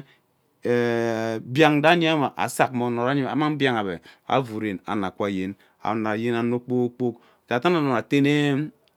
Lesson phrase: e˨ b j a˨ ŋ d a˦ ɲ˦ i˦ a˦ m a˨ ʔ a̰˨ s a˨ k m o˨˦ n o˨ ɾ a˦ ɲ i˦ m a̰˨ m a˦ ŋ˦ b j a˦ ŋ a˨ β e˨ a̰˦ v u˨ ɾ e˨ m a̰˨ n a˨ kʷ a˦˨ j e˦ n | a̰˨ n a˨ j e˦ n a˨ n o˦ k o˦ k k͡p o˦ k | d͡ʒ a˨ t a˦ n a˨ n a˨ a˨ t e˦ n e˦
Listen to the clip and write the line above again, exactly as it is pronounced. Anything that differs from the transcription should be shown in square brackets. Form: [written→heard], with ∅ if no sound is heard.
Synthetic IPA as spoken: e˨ b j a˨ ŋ d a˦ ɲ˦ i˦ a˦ m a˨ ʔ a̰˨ s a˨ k m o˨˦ n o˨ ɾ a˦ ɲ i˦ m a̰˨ m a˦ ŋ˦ b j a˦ ŋ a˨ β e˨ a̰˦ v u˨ ɾ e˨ [m→n] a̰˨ n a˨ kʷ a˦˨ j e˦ n | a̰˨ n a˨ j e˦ n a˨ n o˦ [k→k͡p] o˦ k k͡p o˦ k | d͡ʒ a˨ t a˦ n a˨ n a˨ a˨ t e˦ n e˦